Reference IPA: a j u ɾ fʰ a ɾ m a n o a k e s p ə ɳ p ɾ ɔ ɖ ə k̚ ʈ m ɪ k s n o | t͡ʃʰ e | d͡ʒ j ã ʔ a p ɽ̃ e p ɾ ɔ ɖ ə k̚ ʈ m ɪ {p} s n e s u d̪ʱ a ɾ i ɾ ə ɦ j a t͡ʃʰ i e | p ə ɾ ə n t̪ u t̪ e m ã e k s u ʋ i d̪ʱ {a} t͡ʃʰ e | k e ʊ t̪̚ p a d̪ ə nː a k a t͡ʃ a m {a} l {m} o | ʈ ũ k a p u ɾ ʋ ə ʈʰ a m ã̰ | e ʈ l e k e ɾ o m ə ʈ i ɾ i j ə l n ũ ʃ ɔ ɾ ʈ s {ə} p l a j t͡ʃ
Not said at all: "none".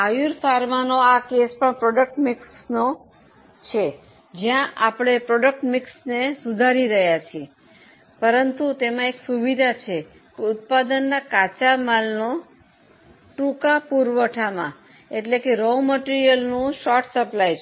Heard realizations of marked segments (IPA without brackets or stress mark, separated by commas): k, a, a, n, ə